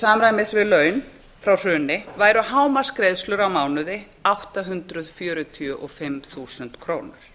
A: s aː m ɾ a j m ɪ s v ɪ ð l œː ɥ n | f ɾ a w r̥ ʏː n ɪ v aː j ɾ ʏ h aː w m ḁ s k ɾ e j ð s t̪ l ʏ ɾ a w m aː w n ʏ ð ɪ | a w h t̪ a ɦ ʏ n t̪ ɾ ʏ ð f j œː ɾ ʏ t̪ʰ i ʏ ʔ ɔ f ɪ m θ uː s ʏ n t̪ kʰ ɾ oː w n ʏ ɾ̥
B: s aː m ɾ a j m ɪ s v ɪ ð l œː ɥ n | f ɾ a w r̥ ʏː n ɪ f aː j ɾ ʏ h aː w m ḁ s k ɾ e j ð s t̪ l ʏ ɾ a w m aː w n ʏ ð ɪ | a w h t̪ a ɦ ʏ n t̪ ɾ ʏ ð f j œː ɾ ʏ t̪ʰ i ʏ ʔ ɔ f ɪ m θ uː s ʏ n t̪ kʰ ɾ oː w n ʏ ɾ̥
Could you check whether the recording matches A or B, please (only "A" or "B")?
A